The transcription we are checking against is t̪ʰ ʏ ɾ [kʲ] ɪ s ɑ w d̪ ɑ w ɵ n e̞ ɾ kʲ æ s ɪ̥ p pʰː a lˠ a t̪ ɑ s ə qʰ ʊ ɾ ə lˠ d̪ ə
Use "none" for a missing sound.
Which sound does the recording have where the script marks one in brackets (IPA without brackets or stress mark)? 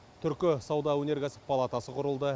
kʲ